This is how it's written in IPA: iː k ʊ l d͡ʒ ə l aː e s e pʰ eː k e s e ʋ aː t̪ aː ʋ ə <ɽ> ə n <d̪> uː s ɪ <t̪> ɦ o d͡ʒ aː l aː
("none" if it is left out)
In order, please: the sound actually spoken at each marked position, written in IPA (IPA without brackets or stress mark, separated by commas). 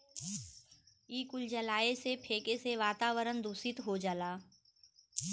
ɾ, d̪, t̪